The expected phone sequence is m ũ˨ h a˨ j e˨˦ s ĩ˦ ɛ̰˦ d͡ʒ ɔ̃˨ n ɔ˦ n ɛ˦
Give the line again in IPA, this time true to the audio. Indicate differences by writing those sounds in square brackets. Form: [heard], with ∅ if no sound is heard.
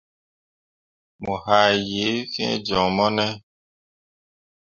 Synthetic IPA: m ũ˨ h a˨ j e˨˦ [f] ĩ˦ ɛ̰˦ d͡ʒ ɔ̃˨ [m] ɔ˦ n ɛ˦